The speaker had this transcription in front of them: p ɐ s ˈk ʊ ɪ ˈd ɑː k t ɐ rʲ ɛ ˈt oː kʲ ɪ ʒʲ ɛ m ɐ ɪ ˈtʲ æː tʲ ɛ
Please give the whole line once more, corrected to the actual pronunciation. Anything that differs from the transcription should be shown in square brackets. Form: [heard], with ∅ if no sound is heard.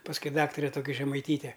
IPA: p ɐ s ˈk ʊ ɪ ˈd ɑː k t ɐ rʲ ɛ ˈt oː kʲ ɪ ʒʲ ɛ m ɐ ɪ ˈtʲ [iː] tʲ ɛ